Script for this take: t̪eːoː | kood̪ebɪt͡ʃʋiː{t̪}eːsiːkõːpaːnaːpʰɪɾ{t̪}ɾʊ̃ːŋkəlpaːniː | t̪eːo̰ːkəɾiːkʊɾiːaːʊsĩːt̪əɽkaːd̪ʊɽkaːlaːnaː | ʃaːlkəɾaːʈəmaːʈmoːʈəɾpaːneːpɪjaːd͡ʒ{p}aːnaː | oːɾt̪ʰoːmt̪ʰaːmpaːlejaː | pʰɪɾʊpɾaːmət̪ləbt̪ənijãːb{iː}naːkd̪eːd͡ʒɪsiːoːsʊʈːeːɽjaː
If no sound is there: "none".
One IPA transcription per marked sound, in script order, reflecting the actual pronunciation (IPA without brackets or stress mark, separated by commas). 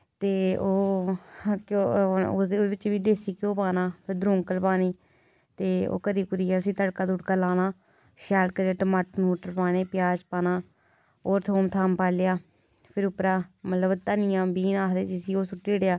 d̪, d̪, p, iː